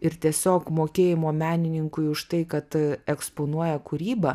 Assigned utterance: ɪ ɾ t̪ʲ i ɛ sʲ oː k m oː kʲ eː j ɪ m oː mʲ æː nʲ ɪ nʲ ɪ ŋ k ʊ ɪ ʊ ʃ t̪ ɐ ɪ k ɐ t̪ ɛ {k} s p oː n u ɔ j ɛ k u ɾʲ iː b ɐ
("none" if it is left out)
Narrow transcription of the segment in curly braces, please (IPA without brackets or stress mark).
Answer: k